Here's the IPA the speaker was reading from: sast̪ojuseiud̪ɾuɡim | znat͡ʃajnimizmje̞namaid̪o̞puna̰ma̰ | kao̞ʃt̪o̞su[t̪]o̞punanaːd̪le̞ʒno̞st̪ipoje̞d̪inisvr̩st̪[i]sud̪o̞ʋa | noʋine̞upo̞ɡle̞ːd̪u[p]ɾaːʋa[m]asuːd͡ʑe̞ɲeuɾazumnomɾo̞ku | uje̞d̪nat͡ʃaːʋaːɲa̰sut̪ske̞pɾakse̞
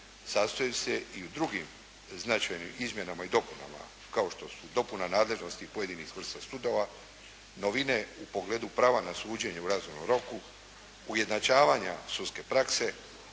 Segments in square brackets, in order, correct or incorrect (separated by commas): incorrect, incorrect, correct, incorrect